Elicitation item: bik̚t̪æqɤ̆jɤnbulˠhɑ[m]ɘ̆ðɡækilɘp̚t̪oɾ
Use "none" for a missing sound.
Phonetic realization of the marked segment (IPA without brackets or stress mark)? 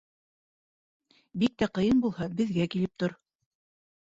b